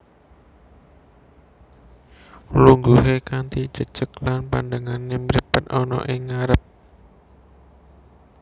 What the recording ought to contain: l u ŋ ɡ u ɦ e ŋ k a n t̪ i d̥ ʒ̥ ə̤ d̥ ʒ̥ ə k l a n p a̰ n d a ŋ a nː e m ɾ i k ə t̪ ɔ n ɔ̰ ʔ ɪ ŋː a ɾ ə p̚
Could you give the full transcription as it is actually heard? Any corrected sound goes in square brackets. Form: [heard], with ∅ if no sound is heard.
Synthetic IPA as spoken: l u ŋ ɡ u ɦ e [∅] k a n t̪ i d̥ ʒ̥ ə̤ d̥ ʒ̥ ə k l a n p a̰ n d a ŋ a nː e m ɾ i [p] ə t̪ ɔ n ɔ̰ ʔ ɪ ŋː a ɾ ə p̚